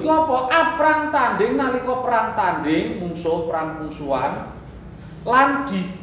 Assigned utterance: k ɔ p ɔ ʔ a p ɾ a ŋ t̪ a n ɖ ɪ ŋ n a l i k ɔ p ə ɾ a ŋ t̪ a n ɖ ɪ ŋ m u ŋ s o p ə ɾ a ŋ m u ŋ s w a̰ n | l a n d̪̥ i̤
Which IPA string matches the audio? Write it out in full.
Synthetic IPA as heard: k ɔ p ɔ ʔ a p ɾ a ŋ t̪ a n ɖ ɪ ŋ n a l i k ɔ p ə ɾ a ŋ t̪ a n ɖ ɪ ŋ m u ŋ s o p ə ɾ a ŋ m u ŋ s u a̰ n | l a n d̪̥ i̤